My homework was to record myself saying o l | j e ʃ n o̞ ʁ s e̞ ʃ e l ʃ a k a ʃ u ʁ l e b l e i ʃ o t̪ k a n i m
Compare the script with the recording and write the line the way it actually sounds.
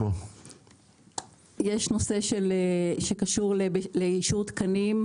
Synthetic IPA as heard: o | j e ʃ n o̞ s e̞ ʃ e l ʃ e k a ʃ u ʁ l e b l e i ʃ u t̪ k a n i m